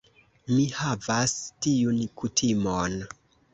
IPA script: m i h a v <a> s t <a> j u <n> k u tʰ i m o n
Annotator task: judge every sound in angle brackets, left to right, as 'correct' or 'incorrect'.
correct, incorrect, correct

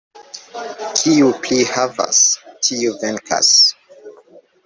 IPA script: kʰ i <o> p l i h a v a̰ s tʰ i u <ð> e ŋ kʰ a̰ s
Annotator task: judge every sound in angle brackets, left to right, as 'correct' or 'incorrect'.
incorrect, incorrect

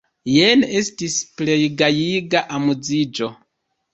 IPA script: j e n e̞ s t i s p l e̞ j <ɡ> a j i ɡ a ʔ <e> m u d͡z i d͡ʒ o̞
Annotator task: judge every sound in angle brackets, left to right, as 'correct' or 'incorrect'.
correct, incorrect

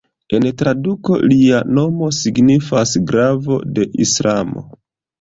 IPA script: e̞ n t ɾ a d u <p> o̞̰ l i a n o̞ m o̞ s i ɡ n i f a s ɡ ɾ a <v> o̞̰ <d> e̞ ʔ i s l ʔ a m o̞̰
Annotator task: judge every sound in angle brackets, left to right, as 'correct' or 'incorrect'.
incorrect, correct, correct

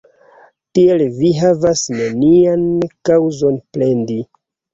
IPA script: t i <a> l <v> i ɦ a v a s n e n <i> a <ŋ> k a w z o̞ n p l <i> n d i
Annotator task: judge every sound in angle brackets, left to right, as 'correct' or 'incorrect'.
incorrect, correct, correct, incorrect, incorrect

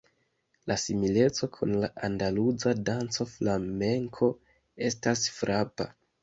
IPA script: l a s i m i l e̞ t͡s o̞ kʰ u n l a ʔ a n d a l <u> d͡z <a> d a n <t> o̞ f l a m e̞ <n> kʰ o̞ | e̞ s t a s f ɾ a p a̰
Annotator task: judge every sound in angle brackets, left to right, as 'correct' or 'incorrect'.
correct, correct, incorrect, incorrect

